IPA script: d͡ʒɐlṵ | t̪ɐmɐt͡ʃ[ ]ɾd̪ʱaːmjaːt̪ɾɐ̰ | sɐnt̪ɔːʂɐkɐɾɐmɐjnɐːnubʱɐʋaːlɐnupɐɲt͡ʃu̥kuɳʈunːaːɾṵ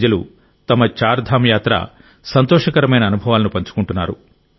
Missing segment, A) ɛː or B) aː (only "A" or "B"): B